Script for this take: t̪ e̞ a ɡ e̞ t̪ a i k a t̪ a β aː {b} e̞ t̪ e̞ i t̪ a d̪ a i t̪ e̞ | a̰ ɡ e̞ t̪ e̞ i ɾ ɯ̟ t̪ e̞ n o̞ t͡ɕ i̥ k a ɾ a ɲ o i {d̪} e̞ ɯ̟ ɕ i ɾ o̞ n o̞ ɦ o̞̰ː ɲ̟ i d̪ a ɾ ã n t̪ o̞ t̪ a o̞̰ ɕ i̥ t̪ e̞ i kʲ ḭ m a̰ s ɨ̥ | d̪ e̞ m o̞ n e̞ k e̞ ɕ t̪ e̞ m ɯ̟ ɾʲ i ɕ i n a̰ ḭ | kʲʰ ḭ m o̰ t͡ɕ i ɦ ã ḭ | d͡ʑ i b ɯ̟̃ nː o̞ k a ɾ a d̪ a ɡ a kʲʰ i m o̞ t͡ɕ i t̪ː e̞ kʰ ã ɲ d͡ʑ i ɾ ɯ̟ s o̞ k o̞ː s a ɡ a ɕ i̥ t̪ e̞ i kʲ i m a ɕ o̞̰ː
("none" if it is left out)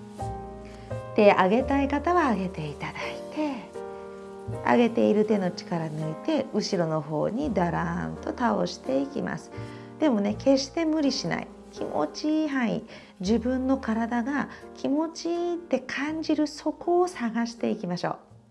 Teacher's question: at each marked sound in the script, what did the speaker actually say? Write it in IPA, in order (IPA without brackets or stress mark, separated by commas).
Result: ɡ, t̪